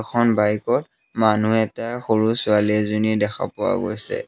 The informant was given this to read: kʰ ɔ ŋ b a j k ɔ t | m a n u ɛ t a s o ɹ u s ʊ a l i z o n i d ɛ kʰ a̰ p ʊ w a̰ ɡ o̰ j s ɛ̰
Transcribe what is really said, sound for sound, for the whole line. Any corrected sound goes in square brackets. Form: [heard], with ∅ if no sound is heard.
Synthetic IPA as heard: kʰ ɔ [n] b a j k ɔ t | m a n u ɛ t a [x] o ɹ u s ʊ a l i z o n i d ɛ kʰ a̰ p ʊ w a̰ ɡ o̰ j s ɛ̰